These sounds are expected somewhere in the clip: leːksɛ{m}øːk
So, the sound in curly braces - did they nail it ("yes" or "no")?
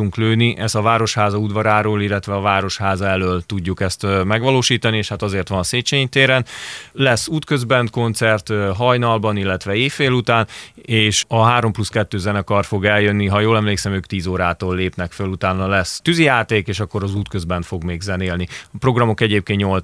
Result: yes